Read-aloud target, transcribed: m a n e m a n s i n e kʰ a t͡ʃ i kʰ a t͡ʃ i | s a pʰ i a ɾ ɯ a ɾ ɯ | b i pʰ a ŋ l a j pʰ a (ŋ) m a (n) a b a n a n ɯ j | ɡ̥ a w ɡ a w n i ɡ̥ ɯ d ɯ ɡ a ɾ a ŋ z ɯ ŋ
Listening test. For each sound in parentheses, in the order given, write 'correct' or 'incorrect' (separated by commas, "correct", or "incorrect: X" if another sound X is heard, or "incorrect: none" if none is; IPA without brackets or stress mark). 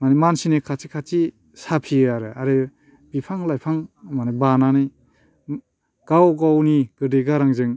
correct, correct